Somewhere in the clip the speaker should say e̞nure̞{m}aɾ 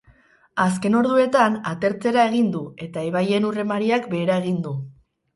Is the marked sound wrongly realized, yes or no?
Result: no